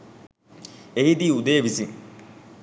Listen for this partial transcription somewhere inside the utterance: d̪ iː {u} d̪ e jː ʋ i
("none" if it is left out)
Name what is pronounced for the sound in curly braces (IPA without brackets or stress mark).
u